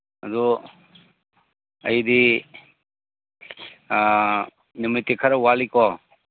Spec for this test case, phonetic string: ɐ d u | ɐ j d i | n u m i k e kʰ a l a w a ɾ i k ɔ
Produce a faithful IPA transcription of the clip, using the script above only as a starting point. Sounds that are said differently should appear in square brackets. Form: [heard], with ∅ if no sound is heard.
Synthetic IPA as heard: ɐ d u | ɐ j d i | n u m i [t] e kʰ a [ɾ] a w a [l] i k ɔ